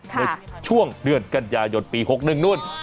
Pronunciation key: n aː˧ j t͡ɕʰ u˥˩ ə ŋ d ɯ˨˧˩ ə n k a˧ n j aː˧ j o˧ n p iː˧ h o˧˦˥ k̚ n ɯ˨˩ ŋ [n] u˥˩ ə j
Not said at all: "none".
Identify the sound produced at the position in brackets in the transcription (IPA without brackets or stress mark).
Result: n